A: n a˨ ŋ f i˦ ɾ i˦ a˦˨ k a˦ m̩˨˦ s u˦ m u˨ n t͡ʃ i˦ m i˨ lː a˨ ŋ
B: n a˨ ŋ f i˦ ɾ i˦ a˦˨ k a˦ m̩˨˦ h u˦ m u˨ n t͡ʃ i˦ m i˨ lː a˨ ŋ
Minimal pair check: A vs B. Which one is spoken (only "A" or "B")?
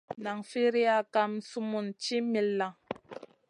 A